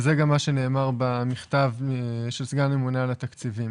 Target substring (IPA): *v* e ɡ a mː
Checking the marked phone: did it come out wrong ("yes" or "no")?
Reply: yes